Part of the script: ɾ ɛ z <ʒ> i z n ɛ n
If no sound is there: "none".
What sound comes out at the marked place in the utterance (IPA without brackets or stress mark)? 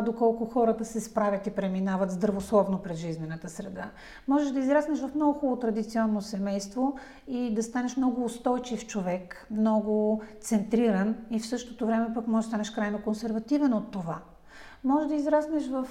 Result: ʒ